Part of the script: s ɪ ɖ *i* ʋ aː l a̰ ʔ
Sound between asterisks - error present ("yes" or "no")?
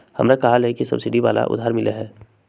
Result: no